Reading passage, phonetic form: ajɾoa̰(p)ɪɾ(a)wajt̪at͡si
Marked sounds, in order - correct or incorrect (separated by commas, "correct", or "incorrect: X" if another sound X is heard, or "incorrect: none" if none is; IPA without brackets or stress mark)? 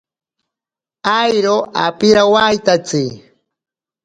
correct, correct